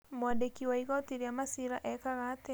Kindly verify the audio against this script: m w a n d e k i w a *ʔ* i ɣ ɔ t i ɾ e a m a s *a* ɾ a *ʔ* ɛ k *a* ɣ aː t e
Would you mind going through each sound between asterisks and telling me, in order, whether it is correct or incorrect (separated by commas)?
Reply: incorrect, incorrect, correct, correct